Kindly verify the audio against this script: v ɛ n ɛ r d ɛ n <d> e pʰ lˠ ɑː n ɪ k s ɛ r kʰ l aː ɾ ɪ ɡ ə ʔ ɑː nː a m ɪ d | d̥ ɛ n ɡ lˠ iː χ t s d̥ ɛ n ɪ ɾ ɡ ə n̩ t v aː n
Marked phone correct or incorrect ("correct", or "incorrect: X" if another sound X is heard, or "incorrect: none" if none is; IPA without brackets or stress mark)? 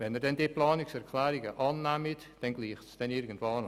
correct